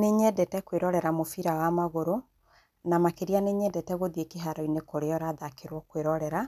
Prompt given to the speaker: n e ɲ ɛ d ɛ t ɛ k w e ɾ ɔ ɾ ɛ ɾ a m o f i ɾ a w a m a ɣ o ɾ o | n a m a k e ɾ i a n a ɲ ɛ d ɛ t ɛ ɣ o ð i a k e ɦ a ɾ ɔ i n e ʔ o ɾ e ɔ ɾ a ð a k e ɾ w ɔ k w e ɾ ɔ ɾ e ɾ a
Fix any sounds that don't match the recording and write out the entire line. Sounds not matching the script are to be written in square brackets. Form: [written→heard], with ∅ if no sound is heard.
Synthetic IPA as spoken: n e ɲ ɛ d ɛ t ɛ k w e ɾ ɔ ɾ ɛ ɾ a m o f i ɾ a w a m a ɣ o ɾ o | n a m a k e ɾ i a n [a→e] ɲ ɛ d ɛ t ɛ ɣ o ð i [a→e] k e ɦ a ɾ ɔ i n e [ʔ→k] o ɾ e ɔ ɾ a ð a k e ɾ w ɔ k w e ɾ ɔ ɾ [e→ɛ] ɾ a